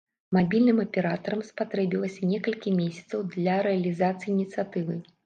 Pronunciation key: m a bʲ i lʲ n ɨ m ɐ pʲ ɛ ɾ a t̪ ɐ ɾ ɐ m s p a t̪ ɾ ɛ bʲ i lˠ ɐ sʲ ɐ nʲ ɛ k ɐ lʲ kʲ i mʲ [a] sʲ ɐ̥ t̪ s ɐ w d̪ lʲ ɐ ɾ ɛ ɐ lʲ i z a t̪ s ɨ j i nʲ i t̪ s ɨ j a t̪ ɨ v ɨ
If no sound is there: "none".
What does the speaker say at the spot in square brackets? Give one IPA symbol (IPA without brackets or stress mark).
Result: e